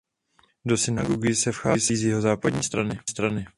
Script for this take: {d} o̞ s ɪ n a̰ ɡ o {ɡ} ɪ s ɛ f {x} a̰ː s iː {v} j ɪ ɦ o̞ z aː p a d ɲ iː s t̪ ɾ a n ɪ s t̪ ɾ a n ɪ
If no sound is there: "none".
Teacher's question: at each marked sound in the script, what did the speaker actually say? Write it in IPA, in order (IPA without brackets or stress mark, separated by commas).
d, ɡ, x, z